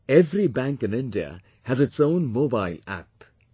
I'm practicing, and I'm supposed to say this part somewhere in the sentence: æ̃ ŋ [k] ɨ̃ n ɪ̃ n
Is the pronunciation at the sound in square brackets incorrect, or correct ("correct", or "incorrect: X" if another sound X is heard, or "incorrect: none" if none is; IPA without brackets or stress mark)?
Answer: correct